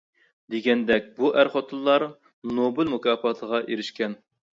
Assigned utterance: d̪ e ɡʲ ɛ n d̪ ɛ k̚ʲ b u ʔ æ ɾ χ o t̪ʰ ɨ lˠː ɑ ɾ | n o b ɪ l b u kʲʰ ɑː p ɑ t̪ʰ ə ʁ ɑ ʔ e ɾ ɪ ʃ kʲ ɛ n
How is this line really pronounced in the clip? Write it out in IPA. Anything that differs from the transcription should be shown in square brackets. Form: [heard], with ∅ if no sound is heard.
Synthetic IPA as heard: d̪ e ɡʲ ɛ n d̪ ɛ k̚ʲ b u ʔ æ ɾ χ o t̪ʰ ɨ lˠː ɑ ɾ | n o b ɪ l [m] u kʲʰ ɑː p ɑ t̪ʰ ə ʁ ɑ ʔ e ɾ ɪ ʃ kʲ ɛ n